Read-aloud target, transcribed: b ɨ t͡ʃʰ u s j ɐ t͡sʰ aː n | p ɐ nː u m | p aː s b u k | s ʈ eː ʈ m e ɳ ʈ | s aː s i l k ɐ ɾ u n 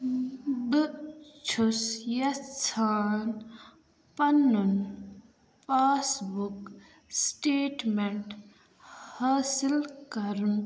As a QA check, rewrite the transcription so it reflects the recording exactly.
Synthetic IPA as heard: b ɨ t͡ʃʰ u s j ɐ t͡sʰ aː n | p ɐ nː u n | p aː s b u k | s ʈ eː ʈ m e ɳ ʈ | h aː s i l k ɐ ɾ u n